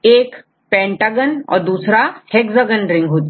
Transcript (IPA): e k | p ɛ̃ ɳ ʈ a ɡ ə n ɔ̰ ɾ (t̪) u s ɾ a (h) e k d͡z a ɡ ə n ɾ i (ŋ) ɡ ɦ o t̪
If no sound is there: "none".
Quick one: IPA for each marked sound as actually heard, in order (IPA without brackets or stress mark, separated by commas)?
d̪, h, ŋ